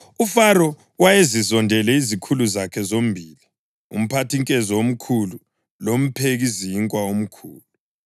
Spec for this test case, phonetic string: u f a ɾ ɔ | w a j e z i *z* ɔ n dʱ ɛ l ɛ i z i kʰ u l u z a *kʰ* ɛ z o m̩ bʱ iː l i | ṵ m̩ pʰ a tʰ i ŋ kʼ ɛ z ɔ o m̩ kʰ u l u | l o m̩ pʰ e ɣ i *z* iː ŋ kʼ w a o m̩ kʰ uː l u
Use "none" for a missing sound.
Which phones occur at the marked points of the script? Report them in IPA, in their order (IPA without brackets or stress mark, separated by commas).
z, kʰ, z